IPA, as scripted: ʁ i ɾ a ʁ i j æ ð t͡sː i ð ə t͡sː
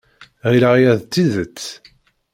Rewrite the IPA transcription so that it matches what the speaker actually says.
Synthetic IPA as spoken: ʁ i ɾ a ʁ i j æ ð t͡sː i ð ə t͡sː

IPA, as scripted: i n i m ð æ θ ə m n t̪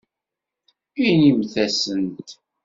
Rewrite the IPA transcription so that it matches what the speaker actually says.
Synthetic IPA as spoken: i n i m θ æ s ə n t̪

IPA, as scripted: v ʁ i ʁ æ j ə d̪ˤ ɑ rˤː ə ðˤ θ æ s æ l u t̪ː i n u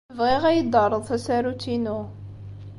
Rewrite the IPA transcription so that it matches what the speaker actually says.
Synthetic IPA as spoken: v ʁ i ʁ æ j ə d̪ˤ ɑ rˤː ə ðˤ θ æ s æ ɾ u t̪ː i n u

